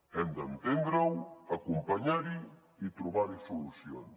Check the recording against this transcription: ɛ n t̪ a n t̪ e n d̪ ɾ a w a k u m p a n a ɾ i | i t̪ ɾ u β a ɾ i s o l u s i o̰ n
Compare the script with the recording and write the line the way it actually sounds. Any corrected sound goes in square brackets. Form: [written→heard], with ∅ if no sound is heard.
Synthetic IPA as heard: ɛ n [t̪→d̪] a n t̪ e n d̪ ɾ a w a k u m p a [n→ɲ] a ɾ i | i t̪ ɾ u β a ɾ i s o l u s [i→j] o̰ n

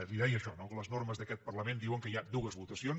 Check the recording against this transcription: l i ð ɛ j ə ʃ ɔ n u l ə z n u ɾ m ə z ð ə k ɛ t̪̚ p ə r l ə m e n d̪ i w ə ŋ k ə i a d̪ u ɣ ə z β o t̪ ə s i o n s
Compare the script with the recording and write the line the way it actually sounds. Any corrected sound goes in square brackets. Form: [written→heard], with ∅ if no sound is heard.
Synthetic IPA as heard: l i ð ɛ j ə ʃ ɔ n [u→o] l ə z n [u→o] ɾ m ə z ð ə k ɛ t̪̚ p ə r l ə m e n d̪ i w ə ŋ k ə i a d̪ u ɣ ə z β [o→u] t̪ ə s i o n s

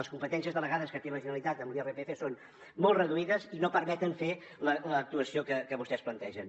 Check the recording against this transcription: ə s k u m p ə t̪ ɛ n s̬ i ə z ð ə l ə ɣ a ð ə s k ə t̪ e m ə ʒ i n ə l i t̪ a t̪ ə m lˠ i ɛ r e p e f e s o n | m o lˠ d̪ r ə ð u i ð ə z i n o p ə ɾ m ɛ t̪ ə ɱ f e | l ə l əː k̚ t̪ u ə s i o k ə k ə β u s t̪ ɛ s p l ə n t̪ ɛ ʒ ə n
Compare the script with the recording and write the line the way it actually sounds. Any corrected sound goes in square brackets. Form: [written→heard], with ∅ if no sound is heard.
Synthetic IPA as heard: ə s k u m p ə t̪ ɛ n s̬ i ə z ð ə l ə ɣ a ð ə s k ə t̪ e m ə ʒ i n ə l i t̪ a t̪ ə m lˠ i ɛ r e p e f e s o n | m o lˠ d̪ r ə ð u i ð ə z i n o p ə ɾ m ɛ t̪ ə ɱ f e | l ə l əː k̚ t̪ u ə s i o k ə k ə β u s t̪ ɛ s p l ə n t̪ ɛ ʒ ə n

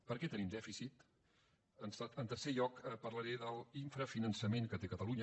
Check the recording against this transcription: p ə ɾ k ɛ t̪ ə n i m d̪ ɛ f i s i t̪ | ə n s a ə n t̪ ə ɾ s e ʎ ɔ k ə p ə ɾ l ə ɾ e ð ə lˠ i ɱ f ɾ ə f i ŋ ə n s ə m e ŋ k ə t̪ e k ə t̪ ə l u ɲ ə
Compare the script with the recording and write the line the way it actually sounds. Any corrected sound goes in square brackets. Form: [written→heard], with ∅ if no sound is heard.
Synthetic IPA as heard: p ə ɾ k ɛ t̪ ə n i m d̪ ɛ f i s i t̪ | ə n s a ə n t̪ ə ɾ s e ʎ ɔ k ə p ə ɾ l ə ɾ e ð ə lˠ i ɱ f ɾ ə f i [ŋ→n] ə n s ə m e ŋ k ə t̪ e k ə t̪ ə l u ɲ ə

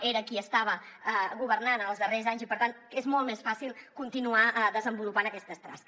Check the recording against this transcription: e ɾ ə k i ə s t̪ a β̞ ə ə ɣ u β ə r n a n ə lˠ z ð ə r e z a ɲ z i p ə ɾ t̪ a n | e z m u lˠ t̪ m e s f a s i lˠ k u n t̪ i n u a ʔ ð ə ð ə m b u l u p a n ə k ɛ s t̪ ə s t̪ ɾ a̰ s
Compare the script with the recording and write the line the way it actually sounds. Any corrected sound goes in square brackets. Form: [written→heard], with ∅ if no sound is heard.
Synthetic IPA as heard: e ɾ ə k i ə s t̪ a β̞ ə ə ɣ u β ə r n a n ə lˠ z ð ə r e z a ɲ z i p ə ɾ t̪ a n | e z m [u→ɔ] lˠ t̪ m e s f a s i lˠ k u n t̪ i n u a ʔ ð ə [ð→z] ə m b u l u p a n ə k ɛ s t̪ ə s t̪ ɾ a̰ s

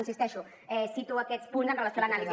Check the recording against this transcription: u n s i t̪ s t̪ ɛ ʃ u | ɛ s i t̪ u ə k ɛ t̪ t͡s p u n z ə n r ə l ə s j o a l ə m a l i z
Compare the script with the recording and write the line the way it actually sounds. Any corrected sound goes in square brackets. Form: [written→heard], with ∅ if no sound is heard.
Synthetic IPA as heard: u n s i [t̪→∅] s t̪ ɛ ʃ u | ɛ s i t̪ u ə k ɛ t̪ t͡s p u n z ə n r ə l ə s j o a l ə [m→n] a l i z

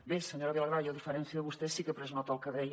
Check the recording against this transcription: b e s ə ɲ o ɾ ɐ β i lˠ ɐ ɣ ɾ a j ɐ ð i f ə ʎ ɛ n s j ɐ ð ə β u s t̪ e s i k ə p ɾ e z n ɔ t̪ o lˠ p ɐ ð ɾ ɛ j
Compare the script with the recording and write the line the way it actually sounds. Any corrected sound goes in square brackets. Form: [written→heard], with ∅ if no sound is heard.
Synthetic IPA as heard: b e s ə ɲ o ɾ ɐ β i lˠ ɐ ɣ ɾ a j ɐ ð i f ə [ʎ→ɾ] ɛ n s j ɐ ð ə β u s t̪ e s i k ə p ɾ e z n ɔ t̪ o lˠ [p→k] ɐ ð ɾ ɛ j

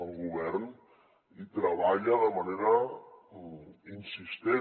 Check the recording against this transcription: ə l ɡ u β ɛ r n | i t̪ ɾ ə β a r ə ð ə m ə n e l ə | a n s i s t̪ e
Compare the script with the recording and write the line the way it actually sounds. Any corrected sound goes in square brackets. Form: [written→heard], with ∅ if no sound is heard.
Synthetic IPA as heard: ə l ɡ u β ɛ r n | i t̪ ɾ ə β a [r→ʎ] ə ð ə m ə n e [l→ɾ] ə | [a→i] n s i s t̪ e

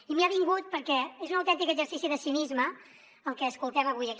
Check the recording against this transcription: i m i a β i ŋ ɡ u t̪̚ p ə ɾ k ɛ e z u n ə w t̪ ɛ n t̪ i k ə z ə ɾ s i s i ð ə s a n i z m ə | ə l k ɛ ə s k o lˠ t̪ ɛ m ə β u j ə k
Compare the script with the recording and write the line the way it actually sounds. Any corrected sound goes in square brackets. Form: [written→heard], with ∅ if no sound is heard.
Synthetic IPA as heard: i m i a β i ŋ ɡ u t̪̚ p ə ɾ k ɛ e z u n ə w t̪ ɛ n t̪ i k ə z ə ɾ s i s i ð ə s [a→i] n i z m ə | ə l k ɛ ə s k [o→u] lˠ t̪ ɛ m ə β u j ə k

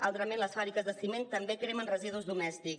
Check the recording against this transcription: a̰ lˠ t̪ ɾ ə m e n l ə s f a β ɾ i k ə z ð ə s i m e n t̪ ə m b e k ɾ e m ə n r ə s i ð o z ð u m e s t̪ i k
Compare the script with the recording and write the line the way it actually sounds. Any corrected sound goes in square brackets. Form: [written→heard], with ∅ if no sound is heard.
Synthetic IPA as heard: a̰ lˠ t̪ ɾ ə m e n l ə s f a β ɾ i k ə z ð ə s i m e n t̪ ə m b e k ɾ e m ə n r ə [s→z] i ð [o→u] z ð u m [e→ɛ] s t̪ i k

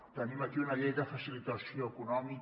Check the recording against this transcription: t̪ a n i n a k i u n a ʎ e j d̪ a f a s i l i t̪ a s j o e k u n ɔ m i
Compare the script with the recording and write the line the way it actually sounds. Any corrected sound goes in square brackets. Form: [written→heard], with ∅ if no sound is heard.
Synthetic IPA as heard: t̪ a n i [n→m] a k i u n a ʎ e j d̪ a f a s i l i t̪ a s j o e k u n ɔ m i

